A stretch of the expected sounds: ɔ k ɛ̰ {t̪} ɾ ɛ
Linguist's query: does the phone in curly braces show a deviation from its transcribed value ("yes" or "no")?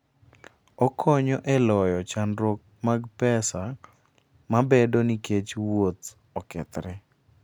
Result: no